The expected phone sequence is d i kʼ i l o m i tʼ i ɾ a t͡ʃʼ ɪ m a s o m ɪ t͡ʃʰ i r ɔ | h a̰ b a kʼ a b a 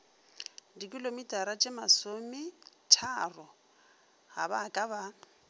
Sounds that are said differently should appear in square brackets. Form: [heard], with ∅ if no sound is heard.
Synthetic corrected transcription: d i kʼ i l o m i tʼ [a] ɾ a t͡ʃʼ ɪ m a s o m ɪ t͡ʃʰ [a] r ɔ | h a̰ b a kʼ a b a